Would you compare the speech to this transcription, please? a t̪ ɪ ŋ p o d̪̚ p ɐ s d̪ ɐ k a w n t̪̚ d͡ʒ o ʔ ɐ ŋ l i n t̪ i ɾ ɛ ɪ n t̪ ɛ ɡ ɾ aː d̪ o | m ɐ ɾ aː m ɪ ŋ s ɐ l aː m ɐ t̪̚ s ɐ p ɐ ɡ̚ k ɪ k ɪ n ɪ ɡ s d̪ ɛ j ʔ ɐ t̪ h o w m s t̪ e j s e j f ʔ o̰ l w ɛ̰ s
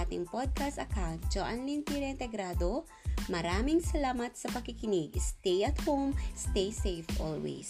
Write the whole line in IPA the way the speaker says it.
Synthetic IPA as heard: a t̪ ɪ ŋ p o d̪̚ k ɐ s t̪ ɐ k a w n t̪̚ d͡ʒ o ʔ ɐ n l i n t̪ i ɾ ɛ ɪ n t̪ ɛ ɡ ɾ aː d̪ o | m ɐ ɾ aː m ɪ ŋ s ɐ l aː m ɐ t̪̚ s ɐ p ɐ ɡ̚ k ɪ k ɪ n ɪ ɡ s t̪ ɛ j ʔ ɐ t̪ h o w m s t̪ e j s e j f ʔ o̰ l w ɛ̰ s